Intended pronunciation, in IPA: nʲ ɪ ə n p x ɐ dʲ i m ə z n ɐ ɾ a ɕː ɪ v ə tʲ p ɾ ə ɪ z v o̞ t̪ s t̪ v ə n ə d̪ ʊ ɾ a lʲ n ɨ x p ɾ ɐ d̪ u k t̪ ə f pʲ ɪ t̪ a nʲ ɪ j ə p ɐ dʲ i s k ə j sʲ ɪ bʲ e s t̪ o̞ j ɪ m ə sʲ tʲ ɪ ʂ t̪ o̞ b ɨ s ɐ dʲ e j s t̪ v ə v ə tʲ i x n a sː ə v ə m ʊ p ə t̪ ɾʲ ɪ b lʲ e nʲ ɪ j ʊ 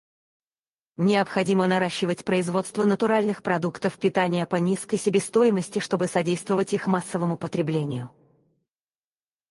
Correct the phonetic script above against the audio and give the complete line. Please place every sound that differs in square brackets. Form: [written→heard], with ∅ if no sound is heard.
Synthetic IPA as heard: nʲ ɪ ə [n→∅] p x ɐ dʲ i m ə [z→∅] n ɐ ɾ a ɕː ɪ v ə tʲ p ɾ ə ɪ z v o̞ t̪ s t̪ v ə n ə [d̪→t̪] ʊ ɾ a lʲ n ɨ x p ɾ ɐ d̪ u k t̪ ə f pʲ ɪ t̪ a nʲ ɪ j ə p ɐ [dʲ→nʲ] i s k ə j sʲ ɪ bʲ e s t̪ o̞ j ɪ m ə sʲ tʲ ɪ ʂ t̪ o̞ b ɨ s ɐ dʲ e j s t̪ v ə v ə tʲ i x [n→m] a sː ə v ə m ʊ p ə t̪ ɾʲ ɪ b lʲ e nʲ ɪ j ʊ